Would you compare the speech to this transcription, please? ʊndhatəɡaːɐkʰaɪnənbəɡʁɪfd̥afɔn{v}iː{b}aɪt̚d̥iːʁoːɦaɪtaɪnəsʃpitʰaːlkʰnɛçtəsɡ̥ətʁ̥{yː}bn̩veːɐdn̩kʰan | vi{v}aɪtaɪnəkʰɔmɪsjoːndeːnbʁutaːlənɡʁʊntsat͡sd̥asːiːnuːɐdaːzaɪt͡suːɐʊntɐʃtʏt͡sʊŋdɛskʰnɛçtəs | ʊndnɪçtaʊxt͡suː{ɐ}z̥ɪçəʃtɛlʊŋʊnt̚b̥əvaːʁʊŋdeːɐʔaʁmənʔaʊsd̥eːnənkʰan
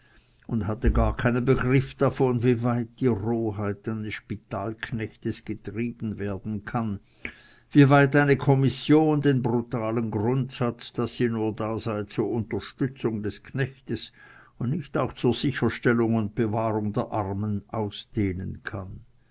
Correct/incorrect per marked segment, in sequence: correct, incorrect: v, incorrect: iː, correct, correct

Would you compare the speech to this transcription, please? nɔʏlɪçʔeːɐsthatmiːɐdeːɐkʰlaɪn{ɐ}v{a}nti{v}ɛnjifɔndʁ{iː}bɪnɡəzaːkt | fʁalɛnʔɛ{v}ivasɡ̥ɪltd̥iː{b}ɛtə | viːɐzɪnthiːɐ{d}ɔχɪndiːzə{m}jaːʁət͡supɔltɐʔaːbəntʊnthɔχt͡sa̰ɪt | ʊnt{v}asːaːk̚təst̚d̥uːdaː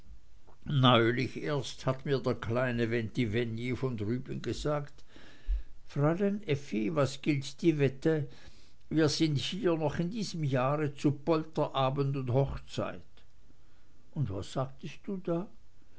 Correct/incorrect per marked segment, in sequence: incorrect: ə, incorrect: ɛ, correct, incorrect: yː, incorrect: f, incorrect: v, incorrect: n, correct, correct

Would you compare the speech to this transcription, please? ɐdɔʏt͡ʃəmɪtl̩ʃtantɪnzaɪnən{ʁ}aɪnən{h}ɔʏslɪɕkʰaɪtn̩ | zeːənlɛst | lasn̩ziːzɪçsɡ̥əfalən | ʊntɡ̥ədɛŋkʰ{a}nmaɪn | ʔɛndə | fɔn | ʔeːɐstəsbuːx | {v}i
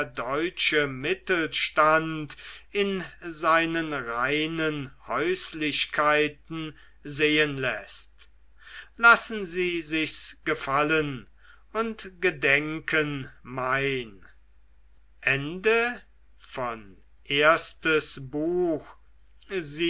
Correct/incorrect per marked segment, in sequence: correct, correct, incorrect: ə, incorrect: z

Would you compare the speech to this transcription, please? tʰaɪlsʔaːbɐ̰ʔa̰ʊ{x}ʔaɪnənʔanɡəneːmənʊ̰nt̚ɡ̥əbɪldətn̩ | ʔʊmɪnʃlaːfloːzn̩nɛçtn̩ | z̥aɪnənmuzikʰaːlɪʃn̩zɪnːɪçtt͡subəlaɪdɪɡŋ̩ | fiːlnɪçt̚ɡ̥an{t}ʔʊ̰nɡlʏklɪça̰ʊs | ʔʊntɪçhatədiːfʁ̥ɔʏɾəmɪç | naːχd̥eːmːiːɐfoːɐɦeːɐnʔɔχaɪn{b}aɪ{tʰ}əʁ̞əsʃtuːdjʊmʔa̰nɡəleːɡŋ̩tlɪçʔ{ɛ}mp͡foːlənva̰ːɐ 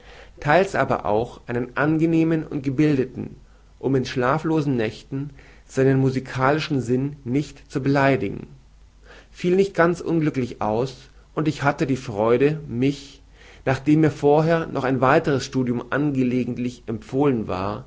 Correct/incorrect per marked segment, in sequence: correct, incorrect: t͡s, incorrect: v, incorrect: t, correct

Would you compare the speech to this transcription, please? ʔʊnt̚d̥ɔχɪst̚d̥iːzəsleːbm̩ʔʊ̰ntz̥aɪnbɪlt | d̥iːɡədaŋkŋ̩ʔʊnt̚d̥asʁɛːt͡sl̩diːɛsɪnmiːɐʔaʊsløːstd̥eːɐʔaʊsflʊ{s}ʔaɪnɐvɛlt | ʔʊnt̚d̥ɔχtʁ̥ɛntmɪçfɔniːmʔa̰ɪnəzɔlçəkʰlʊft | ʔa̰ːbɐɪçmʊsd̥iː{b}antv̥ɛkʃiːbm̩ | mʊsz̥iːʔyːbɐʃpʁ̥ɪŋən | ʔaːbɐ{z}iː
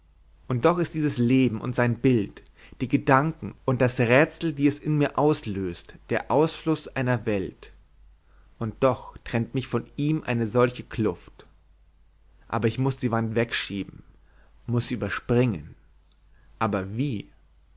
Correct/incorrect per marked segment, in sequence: correct, incorrect: v, incorrect: v

